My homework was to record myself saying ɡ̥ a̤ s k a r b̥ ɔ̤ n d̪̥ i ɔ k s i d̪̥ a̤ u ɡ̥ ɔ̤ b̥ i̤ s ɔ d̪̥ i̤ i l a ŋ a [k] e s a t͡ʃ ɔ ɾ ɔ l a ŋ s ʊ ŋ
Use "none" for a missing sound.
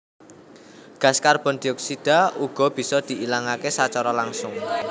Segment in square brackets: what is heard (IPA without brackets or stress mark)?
k